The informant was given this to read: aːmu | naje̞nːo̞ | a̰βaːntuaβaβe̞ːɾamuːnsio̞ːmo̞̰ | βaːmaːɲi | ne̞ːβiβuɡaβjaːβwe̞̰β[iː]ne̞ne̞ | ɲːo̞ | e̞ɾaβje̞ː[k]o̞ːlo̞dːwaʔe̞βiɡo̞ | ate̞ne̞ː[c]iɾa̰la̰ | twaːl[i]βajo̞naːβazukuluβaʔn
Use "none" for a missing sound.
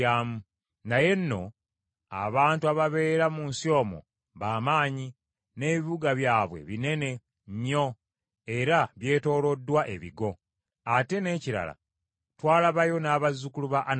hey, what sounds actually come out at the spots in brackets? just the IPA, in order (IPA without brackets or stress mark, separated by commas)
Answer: i, t, c, a